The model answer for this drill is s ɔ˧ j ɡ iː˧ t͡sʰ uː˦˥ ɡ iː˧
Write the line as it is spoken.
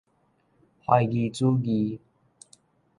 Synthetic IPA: h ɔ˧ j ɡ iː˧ t͡s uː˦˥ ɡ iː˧